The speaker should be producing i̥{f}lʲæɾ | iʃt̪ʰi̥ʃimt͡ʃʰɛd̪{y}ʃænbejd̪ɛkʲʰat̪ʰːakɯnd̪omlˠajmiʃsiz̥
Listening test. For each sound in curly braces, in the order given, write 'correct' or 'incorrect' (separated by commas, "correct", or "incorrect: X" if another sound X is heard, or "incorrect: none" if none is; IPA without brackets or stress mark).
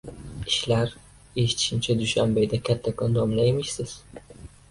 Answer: incorrect: ʃ, correct